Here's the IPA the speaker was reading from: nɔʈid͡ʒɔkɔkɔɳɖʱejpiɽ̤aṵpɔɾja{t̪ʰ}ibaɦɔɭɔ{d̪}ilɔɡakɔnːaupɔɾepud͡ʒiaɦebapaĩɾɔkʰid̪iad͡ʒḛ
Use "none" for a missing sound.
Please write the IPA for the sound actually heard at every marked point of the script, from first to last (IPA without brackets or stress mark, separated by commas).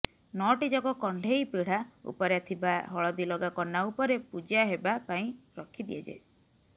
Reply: t̪ʰ, d̪